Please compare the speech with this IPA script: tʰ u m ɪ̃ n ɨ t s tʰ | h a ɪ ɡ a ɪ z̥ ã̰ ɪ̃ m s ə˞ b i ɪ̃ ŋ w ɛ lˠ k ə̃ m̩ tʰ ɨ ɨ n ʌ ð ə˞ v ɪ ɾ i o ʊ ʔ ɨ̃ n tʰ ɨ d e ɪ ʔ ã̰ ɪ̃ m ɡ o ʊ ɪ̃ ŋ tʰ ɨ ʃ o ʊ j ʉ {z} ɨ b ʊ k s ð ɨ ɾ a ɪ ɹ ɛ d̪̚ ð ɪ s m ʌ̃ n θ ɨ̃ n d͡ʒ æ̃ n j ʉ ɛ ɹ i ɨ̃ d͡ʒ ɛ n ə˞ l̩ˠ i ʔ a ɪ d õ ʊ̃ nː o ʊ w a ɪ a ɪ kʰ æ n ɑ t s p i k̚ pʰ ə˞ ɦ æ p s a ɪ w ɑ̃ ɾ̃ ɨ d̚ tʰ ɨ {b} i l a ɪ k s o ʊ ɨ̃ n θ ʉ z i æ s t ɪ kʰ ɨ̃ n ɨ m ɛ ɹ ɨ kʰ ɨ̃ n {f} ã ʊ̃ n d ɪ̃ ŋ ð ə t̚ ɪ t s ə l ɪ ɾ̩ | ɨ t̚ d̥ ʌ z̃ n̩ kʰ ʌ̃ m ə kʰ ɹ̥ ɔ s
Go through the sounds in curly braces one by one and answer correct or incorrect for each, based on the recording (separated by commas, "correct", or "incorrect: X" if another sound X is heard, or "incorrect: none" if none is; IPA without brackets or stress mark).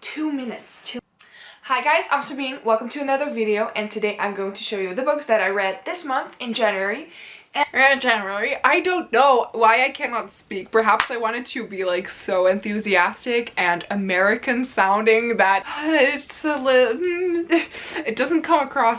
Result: incorrect: ð, correct, incorrect: s